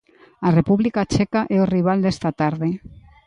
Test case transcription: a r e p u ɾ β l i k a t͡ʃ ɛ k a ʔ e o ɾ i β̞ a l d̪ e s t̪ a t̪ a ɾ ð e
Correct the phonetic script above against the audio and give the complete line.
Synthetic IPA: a r e p u β l i k a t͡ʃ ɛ k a ʔ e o r i β̞ a l d̪ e s t̪ a t̪ a ɾ ð e